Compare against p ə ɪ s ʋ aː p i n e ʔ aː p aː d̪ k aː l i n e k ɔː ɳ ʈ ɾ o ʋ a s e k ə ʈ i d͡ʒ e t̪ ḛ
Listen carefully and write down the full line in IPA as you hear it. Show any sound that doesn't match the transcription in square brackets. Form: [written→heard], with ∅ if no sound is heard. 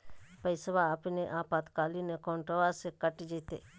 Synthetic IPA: p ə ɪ s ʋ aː p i n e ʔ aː p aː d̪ k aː l i n e k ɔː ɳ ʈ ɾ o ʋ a s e k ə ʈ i d͡ʒ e t̪ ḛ